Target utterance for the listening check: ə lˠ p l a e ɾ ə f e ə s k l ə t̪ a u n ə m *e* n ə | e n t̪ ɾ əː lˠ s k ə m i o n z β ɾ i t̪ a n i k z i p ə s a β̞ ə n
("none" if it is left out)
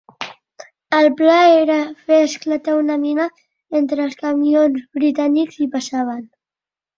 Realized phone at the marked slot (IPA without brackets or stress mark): i